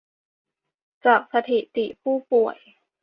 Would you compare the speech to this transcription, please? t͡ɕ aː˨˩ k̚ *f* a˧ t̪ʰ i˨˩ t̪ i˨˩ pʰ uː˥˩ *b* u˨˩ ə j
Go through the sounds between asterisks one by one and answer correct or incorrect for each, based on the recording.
incorrect: s, incorrect: p

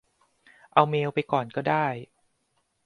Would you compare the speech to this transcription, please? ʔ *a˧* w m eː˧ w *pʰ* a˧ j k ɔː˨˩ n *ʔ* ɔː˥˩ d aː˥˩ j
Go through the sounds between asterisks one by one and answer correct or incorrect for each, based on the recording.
correct, incorrect: p, incorrect: k

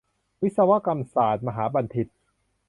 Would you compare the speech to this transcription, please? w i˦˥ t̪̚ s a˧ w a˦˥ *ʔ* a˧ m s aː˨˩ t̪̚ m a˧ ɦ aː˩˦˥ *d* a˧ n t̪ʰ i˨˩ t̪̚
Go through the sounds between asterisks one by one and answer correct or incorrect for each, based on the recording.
incorrect: k, incorrect: b

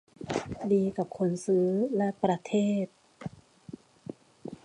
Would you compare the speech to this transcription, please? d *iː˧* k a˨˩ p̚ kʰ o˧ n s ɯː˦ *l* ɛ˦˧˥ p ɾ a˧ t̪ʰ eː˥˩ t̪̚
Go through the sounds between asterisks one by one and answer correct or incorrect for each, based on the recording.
correct, correct

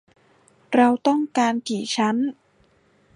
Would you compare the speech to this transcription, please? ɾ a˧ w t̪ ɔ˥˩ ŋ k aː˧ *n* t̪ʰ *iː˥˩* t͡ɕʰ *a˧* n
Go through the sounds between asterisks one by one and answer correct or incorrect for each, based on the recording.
correct, incorrect: iː˨˩˦, incorrect: a˦˥

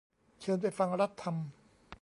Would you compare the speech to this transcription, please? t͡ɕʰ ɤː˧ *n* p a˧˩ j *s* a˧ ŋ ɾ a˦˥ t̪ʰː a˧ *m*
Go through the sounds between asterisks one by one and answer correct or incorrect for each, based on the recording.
correct, incorrect: f, correct

